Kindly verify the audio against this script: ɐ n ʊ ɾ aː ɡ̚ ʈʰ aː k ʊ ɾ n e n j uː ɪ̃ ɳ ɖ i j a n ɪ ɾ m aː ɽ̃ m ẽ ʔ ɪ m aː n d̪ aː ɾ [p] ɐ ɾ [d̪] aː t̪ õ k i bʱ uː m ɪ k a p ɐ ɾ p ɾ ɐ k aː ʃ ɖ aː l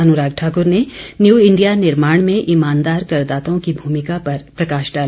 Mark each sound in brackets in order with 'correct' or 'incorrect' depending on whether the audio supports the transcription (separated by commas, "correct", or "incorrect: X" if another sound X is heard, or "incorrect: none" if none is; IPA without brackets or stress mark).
incorrect: k, correct